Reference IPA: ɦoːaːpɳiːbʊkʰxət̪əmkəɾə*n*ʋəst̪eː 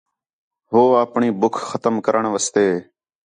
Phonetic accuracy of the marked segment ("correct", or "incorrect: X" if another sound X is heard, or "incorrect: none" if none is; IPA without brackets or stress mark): incorrect: ɳ